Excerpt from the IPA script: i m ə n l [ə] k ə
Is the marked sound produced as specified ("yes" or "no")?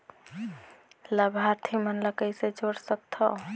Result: yes